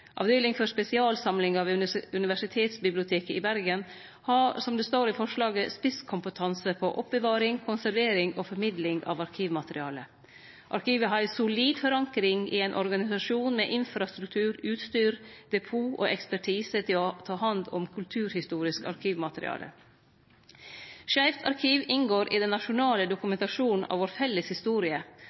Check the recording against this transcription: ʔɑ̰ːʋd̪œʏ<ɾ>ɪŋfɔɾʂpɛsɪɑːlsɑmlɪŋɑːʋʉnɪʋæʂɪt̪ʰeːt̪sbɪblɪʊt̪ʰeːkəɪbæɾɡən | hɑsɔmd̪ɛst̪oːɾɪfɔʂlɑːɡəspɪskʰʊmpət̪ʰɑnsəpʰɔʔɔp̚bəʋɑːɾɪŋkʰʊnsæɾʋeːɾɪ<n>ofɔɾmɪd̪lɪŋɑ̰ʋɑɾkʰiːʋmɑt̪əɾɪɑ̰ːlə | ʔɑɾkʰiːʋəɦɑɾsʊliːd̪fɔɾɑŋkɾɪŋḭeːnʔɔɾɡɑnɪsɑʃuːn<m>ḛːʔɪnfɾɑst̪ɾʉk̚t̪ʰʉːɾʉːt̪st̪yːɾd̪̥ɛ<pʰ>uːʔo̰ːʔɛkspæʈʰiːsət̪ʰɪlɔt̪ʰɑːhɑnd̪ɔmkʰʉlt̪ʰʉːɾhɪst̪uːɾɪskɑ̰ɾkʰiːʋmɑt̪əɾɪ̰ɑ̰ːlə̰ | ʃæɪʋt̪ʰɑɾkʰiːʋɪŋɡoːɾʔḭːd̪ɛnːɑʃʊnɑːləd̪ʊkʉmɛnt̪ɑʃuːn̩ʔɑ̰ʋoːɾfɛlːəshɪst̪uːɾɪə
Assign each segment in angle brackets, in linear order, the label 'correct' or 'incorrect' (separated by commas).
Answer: incorrect, incorrect, correct, correct